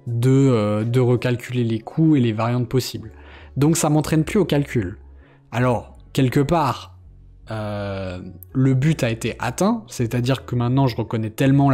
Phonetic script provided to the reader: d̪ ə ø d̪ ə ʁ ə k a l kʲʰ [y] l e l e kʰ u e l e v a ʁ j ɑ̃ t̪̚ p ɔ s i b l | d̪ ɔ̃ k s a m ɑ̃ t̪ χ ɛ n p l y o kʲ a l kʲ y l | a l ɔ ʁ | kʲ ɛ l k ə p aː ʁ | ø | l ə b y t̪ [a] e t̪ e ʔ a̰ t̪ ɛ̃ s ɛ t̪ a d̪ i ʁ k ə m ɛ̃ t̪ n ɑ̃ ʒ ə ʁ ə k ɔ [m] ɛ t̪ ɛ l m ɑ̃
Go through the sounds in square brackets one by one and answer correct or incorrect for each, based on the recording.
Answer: correct, correct, incorrect

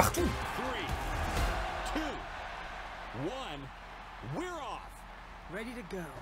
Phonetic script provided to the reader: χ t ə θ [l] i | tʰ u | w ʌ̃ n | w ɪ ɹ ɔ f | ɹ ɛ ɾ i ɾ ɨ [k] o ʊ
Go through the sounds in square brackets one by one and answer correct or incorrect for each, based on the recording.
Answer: incorrect, incorrect

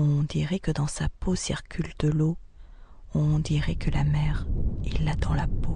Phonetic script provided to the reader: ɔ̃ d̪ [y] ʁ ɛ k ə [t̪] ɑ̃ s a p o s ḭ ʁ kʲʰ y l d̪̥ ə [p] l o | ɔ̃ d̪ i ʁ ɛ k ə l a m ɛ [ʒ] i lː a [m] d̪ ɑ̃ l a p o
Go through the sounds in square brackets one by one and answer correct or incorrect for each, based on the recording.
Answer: incorrect, incorrect, incorrect, incorrect, incorrect

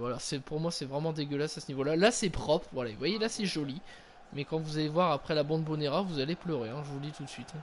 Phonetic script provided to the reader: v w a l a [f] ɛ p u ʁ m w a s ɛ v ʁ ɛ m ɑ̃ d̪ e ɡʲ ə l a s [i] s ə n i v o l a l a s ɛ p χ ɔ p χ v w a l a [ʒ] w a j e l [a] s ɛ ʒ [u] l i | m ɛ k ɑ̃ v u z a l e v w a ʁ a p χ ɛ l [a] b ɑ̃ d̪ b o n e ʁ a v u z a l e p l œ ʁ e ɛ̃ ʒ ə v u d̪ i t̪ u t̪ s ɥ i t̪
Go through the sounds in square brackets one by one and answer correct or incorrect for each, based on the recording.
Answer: incorrect, incorrect, incorrect, correct, incorrect, correct

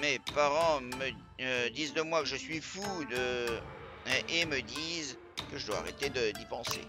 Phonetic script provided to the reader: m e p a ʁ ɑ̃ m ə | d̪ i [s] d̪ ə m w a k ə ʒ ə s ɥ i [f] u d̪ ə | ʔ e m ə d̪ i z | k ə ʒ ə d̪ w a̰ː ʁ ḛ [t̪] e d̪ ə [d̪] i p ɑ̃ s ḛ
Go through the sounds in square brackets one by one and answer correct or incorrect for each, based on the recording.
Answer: incorrect, correct, correct, correct

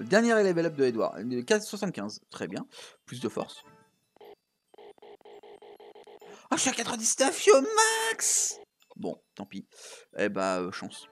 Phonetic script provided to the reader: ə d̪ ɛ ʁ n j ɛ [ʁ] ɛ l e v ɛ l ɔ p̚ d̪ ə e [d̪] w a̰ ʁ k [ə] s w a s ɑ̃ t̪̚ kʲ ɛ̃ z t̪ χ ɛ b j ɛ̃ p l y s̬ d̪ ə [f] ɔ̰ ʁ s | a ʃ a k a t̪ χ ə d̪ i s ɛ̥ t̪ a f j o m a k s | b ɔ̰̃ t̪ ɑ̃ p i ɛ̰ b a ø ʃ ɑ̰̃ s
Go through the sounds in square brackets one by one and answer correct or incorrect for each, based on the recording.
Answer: correct, correct, incorrect, correct

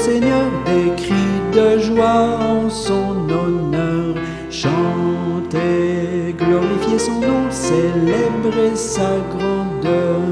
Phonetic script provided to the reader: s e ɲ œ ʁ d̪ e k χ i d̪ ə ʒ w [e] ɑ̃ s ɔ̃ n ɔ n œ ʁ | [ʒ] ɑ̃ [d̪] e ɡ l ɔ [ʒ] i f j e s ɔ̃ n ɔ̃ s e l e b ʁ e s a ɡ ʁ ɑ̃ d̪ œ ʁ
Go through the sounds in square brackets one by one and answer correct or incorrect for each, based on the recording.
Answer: incorrect, incorrect, incorrect, incorrect

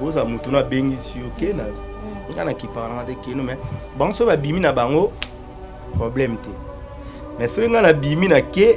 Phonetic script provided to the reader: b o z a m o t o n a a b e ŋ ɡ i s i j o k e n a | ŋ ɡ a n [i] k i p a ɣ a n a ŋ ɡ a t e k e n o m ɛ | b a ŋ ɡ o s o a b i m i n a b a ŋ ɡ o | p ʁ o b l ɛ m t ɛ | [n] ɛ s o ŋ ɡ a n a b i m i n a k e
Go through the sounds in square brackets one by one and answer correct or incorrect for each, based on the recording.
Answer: incorrect, incorrect

